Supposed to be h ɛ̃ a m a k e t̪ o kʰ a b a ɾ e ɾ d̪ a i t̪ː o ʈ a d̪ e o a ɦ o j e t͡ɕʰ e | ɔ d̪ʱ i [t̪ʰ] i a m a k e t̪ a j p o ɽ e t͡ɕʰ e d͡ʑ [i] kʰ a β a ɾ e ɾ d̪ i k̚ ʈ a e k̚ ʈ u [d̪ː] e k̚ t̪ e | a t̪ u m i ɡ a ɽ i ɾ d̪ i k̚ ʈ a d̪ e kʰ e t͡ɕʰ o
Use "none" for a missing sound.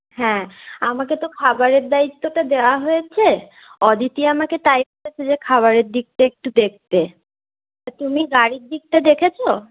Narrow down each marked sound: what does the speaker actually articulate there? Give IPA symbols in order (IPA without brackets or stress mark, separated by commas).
t̪, e, d̪